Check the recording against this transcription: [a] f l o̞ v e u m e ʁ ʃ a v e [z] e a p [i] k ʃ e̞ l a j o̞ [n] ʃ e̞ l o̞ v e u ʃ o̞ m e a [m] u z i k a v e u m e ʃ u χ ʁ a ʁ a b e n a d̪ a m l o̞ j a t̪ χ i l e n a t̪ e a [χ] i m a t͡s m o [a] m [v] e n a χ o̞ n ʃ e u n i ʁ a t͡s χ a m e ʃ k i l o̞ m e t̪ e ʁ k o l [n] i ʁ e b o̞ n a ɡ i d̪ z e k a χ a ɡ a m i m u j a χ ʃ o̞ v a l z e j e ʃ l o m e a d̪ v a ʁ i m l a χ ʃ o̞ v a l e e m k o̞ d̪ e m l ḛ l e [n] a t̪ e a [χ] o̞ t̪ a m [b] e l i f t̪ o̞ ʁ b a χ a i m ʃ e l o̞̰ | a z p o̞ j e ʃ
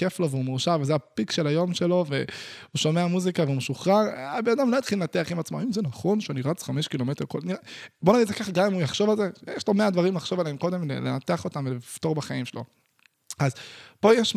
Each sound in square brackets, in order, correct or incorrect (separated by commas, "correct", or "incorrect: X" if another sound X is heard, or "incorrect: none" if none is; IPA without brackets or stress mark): incorrect: e, correct, correct, incorrect: m, correct, correct, incorrect: i, incorrect: z, correct, correct, correct, incorrect: v